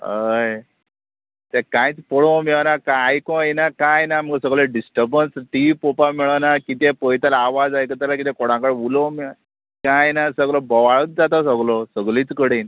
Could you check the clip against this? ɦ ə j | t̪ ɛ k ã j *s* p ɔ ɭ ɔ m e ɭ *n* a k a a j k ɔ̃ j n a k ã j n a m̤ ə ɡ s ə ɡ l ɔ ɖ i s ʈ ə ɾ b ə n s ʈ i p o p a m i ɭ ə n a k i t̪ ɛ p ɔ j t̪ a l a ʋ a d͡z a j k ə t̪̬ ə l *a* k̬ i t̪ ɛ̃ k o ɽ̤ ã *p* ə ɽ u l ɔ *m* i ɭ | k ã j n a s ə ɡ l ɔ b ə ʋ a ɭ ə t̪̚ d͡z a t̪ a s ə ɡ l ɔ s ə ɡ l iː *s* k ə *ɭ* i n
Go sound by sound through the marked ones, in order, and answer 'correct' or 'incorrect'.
incorrect: t͡s, correct, correct, incorrect: k, correct, incorrect: t͡s, incorrect: ɽ

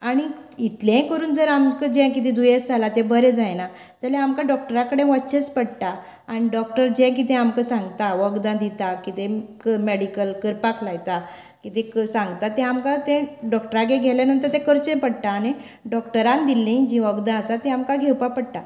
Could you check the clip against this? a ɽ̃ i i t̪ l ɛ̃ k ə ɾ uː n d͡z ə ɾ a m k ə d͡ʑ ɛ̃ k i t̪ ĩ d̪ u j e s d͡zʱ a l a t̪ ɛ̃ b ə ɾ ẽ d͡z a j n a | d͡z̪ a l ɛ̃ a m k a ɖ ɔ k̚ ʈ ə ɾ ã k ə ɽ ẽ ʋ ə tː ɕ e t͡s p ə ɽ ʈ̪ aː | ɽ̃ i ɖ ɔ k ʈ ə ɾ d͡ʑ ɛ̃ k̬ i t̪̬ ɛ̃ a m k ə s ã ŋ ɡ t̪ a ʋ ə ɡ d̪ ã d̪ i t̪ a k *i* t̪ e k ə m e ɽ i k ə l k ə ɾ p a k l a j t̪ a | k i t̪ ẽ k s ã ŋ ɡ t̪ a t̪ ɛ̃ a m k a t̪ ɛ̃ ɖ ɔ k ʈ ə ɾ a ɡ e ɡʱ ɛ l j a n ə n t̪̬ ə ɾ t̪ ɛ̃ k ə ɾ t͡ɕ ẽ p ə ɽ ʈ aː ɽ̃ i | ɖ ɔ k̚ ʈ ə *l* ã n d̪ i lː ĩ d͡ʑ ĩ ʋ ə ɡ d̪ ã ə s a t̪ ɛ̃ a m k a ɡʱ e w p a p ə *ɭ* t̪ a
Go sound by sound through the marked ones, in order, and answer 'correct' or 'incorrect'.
correct, incorrect: ɾ, incorrect: ɽ

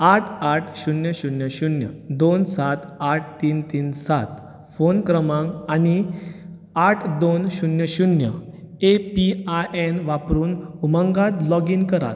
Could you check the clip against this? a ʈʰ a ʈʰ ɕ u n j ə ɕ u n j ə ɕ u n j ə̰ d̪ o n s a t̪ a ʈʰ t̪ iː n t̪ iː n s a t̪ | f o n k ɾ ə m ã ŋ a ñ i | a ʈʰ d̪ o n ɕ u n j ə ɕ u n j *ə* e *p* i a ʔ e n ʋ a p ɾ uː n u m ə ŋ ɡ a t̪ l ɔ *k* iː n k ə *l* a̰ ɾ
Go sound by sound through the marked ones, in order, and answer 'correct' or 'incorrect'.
correct, correct, incorrect: ɡ, incorrect: ɾ

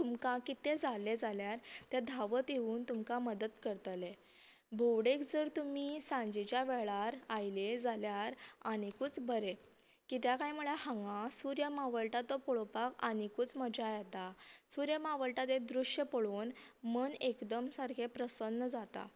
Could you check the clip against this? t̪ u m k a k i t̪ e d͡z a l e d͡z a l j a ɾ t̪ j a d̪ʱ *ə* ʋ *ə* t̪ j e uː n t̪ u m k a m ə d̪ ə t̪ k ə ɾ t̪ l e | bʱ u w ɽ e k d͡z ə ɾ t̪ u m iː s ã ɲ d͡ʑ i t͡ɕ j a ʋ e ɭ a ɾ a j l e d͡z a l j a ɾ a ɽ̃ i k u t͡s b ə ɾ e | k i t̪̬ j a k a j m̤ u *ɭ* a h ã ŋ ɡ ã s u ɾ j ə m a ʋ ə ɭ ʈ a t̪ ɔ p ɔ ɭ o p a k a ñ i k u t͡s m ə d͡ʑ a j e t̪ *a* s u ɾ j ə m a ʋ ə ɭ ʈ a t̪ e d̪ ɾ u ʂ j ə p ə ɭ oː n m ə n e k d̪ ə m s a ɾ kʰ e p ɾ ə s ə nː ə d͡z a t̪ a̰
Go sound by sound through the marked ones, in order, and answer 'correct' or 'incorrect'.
incorrect: a, correct, correct, correct

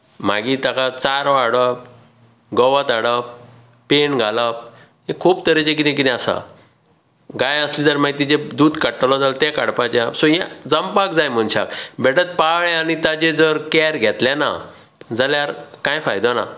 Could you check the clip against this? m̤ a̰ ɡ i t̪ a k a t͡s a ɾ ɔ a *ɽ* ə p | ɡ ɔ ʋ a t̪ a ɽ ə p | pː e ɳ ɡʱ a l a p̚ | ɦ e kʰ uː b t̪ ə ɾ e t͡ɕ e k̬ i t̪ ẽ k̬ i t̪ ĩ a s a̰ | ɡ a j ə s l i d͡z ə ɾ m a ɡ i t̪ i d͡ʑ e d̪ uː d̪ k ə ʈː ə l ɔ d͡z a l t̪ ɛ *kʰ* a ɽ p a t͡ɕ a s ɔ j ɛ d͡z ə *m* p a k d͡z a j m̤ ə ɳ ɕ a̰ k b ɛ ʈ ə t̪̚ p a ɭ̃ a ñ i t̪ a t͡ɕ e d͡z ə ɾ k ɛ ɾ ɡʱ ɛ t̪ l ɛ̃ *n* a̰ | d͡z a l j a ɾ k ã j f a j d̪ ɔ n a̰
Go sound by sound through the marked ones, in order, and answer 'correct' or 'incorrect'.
correct, incorrect: k, correct, correct

